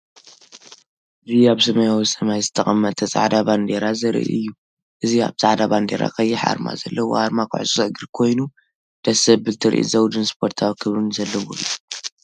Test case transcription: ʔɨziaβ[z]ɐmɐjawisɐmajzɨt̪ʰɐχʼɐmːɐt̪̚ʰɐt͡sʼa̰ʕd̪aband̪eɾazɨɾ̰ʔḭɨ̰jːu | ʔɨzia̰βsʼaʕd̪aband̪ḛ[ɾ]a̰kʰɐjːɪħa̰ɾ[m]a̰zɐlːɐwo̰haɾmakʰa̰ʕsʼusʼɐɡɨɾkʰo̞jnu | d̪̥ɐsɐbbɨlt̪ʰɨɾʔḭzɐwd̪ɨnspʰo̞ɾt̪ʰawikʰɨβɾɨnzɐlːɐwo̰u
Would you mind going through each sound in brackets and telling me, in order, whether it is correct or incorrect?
incorrect: s, correct, correct

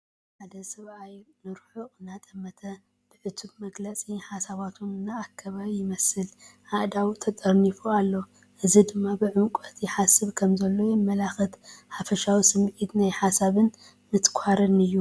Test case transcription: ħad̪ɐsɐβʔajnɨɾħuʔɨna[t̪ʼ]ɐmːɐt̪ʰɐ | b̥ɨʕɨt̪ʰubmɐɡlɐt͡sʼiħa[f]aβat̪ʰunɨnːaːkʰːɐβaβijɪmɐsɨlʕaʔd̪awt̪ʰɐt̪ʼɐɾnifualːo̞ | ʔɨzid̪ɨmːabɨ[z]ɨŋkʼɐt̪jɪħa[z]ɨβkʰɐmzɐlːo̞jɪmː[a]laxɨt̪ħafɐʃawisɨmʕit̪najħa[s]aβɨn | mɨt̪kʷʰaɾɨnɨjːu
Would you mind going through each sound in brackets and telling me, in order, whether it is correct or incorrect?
correct, incorrect: s, incorrect: ʕ, incorrect: s, incorrect: ɐ, correct

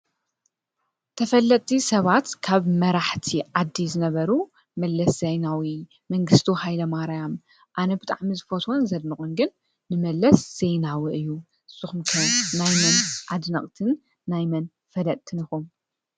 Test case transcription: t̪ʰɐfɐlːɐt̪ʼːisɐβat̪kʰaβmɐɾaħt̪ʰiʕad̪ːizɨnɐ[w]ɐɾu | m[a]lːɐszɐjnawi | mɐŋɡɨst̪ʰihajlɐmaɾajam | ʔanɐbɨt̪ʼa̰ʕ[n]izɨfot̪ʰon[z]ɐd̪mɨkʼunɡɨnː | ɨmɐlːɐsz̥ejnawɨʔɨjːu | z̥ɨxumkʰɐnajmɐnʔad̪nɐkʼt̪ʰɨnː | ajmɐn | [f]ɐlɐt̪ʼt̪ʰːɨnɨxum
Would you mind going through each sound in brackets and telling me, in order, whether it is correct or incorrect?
incorrect: β, incorrect: ɐ, incorrect: m, correct, correct

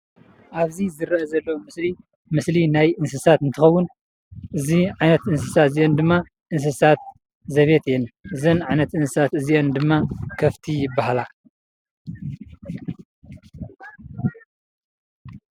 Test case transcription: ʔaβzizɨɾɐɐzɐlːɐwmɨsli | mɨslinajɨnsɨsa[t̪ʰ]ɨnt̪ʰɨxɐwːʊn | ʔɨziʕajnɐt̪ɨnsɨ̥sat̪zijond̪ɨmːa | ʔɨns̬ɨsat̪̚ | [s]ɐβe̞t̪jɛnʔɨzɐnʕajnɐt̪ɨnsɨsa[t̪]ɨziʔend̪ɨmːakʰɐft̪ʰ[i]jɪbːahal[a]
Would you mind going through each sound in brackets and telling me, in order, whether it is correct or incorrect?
incorrect: t̪, incorrect: z, correct, correct, correct

